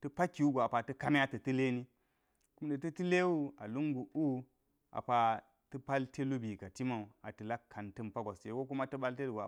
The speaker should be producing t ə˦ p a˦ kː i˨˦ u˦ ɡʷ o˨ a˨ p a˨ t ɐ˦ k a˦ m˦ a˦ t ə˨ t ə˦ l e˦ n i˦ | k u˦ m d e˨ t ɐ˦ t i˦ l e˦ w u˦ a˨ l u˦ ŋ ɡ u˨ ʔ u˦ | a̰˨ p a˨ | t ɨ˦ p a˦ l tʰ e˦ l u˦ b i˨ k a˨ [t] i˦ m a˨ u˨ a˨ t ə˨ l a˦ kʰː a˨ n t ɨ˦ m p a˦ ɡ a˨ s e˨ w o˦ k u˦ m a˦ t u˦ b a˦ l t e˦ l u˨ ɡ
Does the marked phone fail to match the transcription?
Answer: no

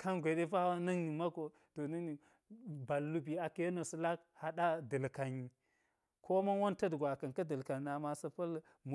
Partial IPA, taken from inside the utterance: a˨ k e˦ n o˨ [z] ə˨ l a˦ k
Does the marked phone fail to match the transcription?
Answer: yes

